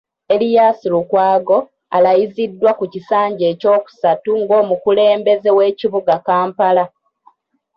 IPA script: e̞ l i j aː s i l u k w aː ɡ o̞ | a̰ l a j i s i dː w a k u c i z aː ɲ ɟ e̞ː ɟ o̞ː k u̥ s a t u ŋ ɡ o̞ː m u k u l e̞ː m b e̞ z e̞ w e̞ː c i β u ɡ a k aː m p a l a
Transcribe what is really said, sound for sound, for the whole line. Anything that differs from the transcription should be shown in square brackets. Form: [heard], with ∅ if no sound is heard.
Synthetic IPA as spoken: e̞ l i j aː s i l u k w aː ɡ o̞ | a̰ l a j i [z] i dː w a k u c i [s] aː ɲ ɟ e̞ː [c] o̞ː k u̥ s a t u ŋ ɡ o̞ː m u k u l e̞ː m b e̞ z e̞ w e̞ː c i β u ɡ a k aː m p a l a